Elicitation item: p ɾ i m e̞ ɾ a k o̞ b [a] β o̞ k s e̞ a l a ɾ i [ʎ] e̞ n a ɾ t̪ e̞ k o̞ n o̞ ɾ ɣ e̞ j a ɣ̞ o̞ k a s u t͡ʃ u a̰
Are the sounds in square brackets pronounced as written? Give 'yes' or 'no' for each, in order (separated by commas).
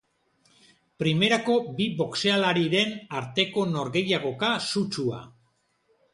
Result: no, no